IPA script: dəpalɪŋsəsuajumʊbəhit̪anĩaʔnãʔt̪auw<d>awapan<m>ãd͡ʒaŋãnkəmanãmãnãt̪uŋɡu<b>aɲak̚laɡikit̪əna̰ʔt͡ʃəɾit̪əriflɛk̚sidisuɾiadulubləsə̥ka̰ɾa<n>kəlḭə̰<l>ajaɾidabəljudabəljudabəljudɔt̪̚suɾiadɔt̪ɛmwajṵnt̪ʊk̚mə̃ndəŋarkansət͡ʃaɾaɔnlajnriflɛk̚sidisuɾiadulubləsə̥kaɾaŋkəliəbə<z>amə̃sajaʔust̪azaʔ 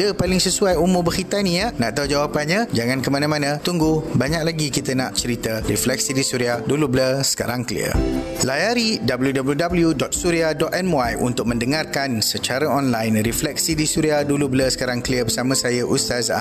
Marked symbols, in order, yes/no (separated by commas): no, no, yes, no, yes, no